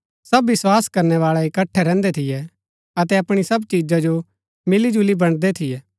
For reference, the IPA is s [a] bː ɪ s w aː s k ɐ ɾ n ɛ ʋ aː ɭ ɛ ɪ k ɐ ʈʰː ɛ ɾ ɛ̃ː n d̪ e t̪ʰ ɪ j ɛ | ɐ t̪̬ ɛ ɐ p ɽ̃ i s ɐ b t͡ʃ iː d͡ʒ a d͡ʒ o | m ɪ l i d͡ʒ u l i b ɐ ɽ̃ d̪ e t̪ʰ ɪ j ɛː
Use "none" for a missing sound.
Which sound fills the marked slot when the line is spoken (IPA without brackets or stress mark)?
ɐ